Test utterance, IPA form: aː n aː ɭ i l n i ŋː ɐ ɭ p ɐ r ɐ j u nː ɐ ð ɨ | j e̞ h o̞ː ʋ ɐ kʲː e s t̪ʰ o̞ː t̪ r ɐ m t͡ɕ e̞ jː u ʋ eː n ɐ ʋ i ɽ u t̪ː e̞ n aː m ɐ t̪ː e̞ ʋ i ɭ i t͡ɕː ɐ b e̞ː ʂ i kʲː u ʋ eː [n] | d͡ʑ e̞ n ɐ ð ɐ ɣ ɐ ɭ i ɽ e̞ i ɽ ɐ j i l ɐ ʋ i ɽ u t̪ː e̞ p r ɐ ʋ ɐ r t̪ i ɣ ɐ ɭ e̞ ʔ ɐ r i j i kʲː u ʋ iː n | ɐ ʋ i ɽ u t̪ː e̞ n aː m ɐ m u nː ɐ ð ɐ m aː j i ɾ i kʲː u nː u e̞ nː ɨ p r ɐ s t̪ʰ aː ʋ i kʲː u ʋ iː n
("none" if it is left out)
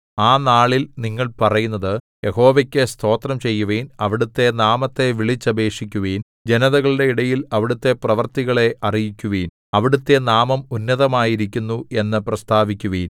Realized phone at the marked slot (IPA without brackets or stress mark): n